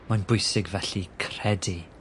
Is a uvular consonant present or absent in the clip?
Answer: absent